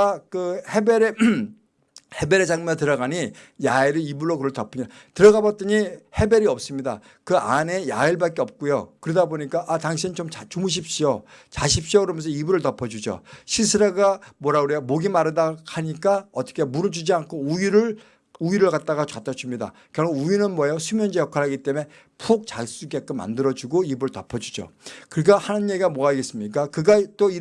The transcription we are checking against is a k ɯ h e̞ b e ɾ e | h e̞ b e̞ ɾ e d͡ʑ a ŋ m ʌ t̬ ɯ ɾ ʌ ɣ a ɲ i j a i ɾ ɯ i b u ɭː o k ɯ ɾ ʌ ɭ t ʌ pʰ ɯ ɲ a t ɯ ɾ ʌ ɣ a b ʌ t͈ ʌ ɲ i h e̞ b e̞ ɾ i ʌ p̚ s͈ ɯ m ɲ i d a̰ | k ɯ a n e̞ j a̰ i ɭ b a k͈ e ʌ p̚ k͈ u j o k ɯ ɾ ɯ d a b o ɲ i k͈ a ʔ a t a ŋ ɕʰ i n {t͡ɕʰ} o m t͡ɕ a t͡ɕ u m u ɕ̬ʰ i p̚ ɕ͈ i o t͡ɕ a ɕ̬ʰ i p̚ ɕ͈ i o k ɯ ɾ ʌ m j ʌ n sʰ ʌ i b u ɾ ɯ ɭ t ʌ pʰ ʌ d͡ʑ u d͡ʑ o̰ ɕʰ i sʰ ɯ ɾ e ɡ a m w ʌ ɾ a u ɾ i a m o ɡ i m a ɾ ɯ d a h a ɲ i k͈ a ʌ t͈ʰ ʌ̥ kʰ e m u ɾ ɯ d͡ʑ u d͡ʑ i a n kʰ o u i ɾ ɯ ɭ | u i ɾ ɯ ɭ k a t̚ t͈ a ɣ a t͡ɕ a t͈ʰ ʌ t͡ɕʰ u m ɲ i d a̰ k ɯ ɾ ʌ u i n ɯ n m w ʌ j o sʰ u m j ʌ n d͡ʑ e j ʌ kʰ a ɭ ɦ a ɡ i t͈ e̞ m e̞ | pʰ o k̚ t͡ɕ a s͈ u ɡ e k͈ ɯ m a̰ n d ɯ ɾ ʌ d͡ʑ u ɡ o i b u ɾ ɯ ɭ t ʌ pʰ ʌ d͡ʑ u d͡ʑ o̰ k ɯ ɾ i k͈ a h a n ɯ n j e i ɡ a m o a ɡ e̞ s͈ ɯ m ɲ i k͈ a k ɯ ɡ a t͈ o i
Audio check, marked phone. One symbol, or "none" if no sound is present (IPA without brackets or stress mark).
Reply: t͡ɕ